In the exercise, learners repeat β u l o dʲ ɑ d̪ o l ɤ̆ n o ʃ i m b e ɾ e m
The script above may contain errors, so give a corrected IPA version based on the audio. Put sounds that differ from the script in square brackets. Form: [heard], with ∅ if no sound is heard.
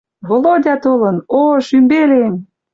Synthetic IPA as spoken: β [o] l o dʲ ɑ [t̪] o l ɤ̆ n o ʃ [y] m b e [l] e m